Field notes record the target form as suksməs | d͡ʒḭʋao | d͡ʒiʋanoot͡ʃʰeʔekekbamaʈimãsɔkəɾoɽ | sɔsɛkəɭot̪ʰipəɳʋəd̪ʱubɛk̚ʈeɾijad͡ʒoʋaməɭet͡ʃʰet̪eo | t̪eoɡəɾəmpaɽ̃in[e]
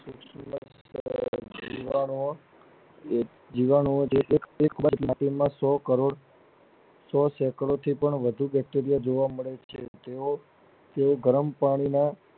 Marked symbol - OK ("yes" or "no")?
no